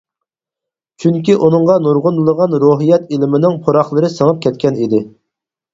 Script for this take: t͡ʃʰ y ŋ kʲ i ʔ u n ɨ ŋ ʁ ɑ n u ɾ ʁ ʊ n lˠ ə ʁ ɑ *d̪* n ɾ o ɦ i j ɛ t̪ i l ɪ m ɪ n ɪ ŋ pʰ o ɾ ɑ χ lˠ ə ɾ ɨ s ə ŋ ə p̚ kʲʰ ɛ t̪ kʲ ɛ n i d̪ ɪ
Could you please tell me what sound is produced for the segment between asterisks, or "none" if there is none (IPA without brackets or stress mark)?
none